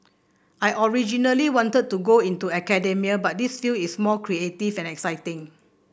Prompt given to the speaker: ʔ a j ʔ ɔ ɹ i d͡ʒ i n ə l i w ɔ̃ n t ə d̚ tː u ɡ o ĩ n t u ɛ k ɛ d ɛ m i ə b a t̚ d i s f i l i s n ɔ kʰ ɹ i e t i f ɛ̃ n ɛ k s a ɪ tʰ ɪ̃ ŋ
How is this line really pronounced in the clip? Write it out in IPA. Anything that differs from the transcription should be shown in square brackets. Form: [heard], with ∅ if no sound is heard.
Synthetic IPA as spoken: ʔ a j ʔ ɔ ɹ i d͡ʒ i n ə l i w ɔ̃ n t ə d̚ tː u ɡ o ĩ n t u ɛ k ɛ d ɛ m i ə b a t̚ d i s f i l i s [m] ɔ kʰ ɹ i e t i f ɛ̃ n ɛ k s a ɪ [t] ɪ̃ ŋ